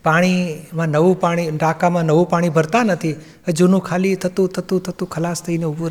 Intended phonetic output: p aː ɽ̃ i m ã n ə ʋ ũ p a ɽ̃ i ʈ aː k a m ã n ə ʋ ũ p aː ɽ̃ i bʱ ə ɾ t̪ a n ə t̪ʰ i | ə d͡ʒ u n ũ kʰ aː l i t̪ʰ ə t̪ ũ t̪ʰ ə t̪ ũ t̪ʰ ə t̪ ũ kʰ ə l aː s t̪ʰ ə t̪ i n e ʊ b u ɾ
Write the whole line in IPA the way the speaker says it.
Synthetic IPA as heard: p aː ɽ̃ i m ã n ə ʋ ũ p a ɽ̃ i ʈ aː k a m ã n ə ʋ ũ p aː ɽ̃ i bʱ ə ɾ t̪ a n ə t̪ʰ i | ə d͡ʒ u n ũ kʰ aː l i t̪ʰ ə t̪ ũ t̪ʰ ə t̪ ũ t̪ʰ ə t̪ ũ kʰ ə l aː s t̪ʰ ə i n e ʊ b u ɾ